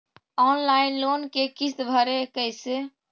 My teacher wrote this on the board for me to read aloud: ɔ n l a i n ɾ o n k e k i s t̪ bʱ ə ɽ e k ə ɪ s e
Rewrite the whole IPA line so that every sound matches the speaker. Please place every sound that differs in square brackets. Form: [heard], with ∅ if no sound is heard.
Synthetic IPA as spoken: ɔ n l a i n [l] o n k e k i s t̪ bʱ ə [ɾ] e k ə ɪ s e